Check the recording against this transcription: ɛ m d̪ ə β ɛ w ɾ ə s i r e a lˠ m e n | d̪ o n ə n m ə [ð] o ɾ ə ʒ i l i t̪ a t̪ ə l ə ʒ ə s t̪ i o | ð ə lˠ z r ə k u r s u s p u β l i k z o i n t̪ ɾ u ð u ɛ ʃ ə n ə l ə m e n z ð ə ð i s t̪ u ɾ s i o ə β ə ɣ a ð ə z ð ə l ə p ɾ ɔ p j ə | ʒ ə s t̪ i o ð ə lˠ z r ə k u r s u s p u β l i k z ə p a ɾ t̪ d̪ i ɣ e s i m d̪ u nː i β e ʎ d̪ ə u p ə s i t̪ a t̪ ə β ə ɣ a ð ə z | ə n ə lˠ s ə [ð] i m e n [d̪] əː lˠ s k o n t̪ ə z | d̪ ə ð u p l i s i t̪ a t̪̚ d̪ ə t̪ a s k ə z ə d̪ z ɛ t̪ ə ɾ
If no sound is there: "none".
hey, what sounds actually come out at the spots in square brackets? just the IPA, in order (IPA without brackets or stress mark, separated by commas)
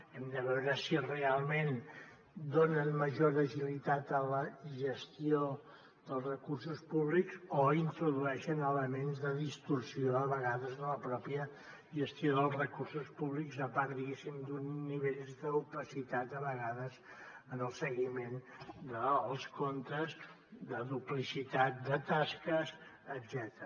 ʒ, ɣ, d̪